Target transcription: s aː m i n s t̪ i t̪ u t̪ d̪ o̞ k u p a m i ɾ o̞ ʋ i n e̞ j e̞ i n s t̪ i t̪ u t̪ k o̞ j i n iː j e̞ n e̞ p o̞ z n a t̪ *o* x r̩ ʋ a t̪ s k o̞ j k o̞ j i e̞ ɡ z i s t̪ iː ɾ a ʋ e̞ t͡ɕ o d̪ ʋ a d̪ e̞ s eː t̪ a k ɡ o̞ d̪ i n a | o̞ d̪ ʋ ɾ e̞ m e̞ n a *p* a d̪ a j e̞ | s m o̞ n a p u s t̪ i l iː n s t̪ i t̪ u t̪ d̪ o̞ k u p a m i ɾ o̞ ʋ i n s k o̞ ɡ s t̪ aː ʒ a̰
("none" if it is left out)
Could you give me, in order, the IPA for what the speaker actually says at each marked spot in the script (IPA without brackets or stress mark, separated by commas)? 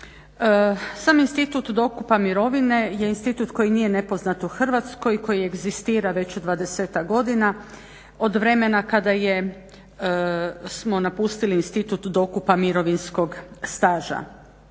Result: u, k